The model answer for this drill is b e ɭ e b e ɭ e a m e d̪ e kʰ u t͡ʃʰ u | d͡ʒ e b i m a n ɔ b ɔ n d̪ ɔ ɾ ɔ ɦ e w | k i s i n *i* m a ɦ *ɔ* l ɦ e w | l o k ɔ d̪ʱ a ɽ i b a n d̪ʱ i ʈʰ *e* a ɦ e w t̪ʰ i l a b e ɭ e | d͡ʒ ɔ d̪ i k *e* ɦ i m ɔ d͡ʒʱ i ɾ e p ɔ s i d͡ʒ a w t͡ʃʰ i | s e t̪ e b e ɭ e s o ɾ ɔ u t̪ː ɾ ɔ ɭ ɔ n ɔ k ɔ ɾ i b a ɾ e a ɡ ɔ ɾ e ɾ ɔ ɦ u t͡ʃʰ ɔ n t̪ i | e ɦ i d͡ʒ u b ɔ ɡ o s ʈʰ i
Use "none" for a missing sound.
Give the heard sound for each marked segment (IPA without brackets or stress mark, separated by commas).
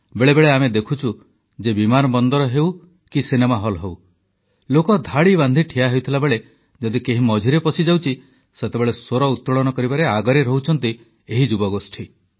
e, ɔ, i, e